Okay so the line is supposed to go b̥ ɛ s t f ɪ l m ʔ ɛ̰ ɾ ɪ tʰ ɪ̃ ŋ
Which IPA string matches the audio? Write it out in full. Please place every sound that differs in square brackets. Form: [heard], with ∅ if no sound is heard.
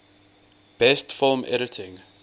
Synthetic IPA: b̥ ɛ s t f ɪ l m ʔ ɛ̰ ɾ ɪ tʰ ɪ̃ ŋ